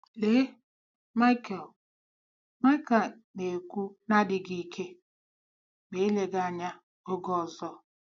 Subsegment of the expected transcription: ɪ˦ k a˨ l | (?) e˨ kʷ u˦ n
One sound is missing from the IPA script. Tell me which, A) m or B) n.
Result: B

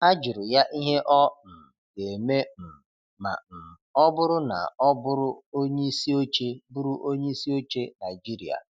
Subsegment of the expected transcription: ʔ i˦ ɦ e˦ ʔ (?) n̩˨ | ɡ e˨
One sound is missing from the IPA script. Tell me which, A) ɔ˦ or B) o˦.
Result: A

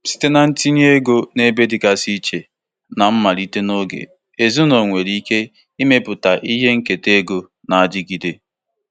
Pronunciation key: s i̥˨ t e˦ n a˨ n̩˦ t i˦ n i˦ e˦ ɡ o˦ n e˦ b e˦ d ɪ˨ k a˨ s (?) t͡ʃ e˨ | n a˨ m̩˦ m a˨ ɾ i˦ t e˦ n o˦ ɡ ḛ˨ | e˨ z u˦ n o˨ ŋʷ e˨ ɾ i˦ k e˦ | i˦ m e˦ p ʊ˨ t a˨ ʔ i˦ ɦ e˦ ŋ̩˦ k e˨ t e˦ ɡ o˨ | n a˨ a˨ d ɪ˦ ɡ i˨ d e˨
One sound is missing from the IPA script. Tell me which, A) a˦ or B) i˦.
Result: B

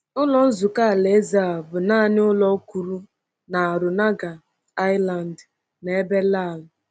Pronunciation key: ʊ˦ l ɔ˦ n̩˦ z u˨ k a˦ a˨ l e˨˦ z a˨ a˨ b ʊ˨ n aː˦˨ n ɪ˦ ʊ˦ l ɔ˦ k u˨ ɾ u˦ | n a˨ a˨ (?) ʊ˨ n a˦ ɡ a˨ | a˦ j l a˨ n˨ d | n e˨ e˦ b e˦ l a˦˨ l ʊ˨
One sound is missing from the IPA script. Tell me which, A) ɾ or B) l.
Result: A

